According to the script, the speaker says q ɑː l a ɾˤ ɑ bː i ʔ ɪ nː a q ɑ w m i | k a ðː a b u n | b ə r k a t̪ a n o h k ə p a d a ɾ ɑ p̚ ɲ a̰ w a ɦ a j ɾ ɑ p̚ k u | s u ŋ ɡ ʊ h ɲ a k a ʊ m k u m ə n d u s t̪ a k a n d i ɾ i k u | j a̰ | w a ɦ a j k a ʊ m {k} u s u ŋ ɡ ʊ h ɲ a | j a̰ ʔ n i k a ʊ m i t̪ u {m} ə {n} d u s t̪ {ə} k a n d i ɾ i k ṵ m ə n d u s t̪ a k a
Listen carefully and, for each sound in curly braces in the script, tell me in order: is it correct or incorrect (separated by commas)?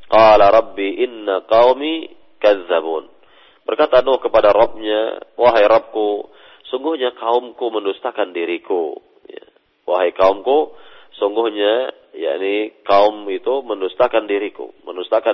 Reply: correct, correct, correct, incorrect